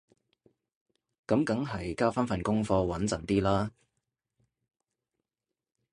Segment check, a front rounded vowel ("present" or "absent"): absent